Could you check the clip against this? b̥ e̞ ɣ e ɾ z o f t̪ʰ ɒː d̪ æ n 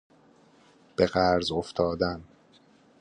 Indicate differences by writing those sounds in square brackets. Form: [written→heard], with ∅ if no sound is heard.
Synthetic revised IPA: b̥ e̞ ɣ [e→æ] ɾ z o f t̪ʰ ɒː d̪ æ n